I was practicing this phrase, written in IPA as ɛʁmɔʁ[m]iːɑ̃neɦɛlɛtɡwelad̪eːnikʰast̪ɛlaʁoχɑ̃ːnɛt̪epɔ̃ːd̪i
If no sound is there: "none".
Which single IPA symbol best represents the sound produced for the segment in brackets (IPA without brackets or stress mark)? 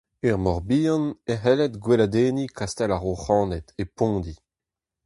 b